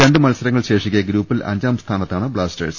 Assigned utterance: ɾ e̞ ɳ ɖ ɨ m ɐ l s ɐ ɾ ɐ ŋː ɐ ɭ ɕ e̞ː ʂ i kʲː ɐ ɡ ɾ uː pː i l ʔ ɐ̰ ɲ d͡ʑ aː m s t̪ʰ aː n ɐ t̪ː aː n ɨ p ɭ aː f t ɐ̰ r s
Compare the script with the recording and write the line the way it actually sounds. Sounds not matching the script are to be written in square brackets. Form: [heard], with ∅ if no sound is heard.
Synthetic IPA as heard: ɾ e̞ ɳ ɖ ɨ m ɐ l s ɐ ɾ ɐ ŋː ɐ ɭ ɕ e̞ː ʂ i kʲː ɐ ɡ ɾ uː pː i l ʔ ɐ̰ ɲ d͡ʑ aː m s t̪ʰ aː n ɐ t̪ː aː [ɳ] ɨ [b] ɭ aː [s] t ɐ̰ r s